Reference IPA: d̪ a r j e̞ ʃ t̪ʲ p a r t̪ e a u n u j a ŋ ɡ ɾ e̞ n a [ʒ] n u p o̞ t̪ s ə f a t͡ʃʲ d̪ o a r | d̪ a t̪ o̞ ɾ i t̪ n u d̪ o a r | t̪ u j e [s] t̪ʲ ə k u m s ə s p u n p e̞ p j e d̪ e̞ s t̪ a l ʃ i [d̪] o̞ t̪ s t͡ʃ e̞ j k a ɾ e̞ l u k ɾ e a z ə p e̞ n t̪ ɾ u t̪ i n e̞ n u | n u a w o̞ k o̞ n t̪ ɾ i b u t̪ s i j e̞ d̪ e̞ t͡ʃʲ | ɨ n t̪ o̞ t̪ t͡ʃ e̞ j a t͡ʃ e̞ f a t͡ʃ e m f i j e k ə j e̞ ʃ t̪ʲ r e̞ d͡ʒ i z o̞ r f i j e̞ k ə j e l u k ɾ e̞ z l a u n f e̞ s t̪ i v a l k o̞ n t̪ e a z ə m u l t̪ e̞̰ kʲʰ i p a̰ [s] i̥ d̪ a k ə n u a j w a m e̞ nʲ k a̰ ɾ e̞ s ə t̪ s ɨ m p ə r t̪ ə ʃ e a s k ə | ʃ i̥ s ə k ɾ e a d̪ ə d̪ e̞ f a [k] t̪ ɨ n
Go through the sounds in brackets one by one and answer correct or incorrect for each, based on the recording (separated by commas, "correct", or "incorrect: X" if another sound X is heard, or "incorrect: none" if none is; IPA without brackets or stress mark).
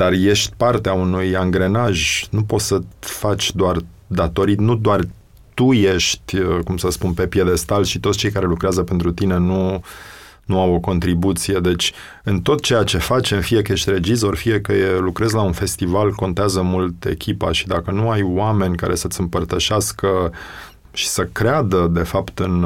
correct, incorrect: ʃ, incorrect: t̪, incorrect: ʃ, incorrect: p